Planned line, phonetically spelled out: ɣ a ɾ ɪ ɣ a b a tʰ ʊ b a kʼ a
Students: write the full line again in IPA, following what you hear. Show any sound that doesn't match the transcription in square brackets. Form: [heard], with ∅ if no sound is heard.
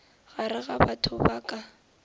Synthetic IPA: ɣ a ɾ ɪ ɣ a b a tʰ ʊ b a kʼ a